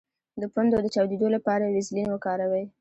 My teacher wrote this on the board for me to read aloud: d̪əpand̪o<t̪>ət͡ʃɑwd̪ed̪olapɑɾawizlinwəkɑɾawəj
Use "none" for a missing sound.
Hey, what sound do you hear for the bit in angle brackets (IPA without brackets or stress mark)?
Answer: d̪